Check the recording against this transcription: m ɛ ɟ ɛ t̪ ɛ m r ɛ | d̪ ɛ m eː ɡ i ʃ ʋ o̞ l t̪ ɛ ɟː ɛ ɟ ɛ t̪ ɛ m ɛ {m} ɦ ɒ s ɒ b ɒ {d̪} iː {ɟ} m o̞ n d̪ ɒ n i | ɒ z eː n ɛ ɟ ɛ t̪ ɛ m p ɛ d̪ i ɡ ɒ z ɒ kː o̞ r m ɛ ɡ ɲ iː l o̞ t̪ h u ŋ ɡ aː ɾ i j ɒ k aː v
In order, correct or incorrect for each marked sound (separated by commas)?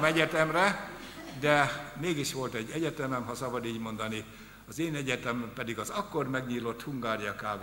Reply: correct, correct, correct